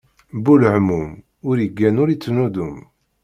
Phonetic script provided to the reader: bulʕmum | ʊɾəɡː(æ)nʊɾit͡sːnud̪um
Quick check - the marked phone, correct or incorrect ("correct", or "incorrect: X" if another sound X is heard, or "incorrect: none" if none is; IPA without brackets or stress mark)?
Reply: correct